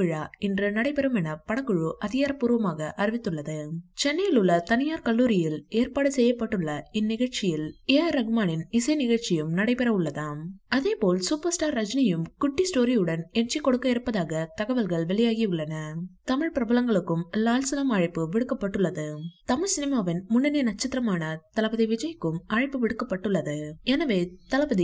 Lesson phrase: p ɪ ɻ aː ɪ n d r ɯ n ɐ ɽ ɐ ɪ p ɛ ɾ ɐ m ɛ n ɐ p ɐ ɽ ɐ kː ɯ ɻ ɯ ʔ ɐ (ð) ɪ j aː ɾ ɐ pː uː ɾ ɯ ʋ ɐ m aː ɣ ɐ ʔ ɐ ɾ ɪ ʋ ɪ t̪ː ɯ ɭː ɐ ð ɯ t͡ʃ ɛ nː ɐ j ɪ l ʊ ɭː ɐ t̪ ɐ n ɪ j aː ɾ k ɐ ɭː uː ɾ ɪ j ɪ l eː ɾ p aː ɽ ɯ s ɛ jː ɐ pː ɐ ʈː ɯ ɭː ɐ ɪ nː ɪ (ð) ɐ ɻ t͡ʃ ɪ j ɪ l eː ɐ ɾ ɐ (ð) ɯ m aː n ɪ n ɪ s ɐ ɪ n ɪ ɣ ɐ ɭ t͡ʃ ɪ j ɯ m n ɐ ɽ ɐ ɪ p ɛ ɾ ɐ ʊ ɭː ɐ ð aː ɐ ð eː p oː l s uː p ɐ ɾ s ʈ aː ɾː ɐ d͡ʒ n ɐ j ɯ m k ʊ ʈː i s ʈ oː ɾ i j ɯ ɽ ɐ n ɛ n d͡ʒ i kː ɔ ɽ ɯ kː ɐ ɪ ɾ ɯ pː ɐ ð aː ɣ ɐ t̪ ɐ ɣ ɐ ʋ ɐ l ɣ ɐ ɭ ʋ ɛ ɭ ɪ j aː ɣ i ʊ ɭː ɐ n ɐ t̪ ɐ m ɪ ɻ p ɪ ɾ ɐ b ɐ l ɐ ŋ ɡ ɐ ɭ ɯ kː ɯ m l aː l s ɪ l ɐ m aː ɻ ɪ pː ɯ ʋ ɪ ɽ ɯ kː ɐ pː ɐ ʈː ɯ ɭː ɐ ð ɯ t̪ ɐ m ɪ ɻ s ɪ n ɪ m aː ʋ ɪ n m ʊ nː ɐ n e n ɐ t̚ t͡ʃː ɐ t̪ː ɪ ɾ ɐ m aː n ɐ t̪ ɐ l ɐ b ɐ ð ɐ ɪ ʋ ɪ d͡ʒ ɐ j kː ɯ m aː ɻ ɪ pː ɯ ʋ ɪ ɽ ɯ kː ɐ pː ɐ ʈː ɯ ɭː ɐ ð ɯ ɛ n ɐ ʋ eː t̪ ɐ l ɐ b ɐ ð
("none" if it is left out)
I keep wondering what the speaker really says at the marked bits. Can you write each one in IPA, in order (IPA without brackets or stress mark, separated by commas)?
ð, ɣ, ɣ